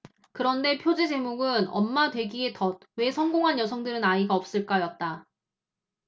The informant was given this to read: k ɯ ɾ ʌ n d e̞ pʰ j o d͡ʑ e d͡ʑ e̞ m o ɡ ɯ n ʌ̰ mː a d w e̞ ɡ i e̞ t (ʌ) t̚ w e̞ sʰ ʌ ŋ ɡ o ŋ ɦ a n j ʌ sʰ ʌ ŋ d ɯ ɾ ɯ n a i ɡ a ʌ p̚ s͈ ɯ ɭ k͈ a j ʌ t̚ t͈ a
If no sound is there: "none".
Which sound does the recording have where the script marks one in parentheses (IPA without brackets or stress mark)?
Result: ʌ